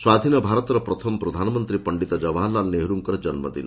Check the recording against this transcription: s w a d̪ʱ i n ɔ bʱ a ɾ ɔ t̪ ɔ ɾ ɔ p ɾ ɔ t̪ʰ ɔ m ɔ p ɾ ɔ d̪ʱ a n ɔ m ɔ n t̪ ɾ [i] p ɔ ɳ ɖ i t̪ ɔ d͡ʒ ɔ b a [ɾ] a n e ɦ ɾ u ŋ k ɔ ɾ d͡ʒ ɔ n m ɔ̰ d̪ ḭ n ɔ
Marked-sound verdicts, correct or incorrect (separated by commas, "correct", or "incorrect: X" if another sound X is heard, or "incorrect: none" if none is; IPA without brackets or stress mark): correct, incorrect: l